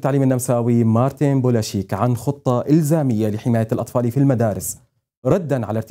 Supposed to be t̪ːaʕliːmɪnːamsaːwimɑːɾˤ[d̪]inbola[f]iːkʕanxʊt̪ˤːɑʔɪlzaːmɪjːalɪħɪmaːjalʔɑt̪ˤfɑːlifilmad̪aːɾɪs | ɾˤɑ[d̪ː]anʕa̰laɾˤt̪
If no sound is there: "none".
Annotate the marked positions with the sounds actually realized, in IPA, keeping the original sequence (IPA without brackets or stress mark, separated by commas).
t̪, ʃ, d̪ː